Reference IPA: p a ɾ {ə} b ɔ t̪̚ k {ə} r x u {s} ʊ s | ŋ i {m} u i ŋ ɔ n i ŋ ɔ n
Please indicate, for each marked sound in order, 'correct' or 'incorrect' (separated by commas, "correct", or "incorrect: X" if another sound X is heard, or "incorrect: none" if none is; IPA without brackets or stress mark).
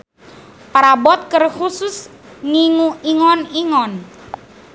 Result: incorrect: a, correct, correct, incorrect: ŋ